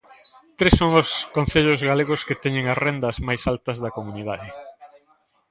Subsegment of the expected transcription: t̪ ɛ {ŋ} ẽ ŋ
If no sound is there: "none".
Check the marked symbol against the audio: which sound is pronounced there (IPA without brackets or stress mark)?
ɲ